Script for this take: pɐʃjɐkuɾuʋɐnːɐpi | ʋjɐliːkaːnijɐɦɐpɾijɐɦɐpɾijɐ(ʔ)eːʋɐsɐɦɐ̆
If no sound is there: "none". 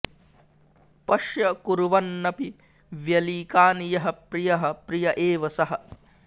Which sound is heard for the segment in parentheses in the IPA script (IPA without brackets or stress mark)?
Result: ʔ